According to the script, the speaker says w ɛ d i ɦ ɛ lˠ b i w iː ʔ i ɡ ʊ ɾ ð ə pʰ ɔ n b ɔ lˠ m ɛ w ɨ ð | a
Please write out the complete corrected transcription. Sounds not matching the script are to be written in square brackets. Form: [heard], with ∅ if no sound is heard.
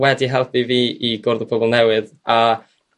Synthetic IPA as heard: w ɛ d i ɦ ɛ lˠ [p] i [v] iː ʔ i ɡ ʊ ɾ ð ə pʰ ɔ [∅] b ɔ lˠ [n] ɛ w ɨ ð | a

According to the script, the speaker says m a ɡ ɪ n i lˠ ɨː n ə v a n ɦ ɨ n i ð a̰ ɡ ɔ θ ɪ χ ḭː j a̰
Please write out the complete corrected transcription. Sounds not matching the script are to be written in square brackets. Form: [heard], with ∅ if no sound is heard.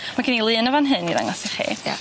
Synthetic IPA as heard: m a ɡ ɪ n i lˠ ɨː n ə v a n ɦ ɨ n i ð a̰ [ŋ] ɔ [s] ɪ χ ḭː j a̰

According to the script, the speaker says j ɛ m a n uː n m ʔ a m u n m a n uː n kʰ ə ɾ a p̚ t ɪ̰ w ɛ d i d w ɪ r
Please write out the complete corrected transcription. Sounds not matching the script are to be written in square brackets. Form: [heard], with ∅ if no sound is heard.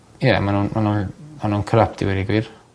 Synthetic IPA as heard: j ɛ m a n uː n m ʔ a [n] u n m a n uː n kʰ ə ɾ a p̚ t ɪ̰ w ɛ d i [ɡ] w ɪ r

